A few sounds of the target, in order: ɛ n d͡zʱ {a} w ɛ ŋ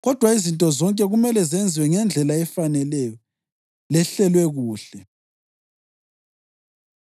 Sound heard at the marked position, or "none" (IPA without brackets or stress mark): i